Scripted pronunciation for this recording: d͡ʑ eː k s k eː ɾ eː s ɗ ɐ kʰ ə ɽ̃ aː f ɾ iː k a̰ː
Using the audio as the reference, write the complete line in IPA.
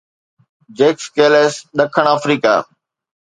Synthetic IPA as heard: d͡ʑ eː k s k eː l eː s ɗ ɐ kʰ ə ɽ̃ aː f ɾ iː k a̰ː